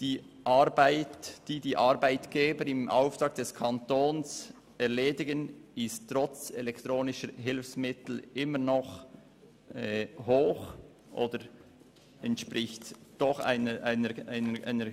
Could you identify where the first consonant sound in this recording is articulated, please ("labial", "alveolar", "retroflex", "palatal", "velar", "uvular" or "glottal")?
alveolar